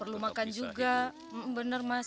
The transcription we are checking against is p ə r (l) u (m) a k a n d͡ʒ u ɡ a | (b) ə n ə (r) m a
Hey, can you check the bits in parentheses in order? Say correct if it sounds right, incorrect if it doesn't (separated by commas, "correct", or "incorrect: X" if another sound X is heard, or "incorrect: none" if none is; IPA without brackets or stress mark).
correct, correct, correct, correct